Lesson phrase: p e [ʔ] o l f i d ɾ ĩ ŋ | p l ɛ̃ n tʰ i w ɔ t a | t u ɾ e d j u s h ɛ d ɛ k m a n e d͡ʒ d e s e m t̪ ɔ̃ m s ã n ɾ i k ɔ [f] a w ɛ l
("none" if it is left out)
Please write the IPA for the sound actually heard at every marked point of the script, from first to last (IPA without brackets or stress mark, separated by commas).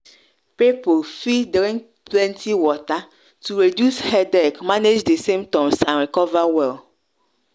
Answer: p, v